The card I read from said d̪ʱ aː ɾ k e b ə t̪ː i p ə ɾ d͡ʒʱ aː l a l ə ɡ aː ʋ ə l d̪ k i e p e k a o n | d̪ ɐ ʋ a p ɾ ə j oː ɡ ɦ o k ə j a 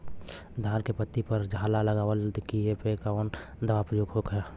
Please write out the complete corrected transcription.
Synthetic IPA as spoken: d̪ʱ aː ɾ k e p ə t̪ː i p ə ɾ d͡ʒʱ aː l a l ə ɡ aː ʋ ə l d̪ k i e p e k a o n | d̪ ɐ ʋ a p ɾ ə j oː ɡ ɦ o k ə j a